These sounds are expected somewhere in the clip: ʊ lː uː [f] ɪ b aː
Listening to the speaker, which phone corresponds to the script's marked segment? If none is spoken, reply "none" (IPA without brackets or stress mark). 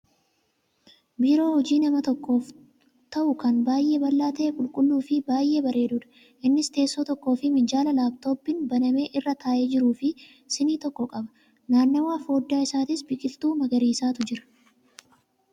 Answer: f